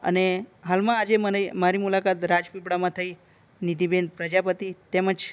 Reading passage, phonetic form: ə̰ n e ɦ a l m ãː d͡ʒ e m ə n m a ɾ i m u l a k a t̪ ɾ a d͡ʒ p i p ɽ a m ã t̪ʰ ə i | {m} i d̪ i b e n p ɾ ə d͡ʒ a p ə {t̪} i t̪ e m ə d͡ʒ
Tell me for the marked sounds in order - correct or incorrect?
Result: incorrect: n, correct

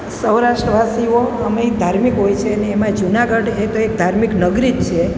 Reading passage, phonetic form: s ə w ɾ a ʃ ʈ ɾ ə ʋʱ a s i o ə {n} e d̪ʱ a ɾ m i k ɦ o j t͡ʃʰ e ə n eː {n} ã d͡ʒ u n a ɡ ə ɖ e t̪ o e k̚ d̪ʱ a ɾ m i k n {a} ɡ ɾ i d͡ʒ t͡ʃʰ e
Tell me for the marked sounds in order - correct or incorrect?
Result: incorrect: m, incorrect: m, incorrect: ə

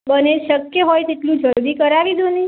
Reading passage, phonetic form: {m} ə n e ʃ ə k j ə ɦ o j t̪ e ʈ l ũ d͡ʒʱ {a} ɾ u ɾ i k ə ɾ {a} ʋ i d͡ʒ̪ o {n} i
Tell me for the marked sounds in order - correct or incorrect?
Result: incorrect: b, incorrect: ə, correct, correct

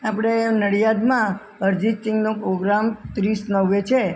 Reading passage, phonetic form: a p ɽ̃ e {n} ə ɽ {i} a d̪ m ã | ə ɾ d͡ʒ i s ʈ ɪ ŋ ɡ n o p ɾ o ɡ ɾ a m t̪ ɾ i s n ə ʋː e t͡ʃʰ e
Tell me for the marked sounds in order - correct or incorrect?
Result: correct, incorrect: j

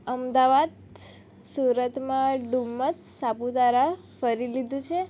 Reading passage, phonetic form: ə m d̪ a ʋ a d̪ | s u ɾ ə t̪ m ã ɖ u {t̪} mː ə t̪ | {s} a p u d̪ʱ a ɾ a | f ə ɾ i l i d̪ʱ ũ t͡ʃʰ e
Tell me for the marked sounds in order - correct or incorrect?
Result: incorrect: none, correct

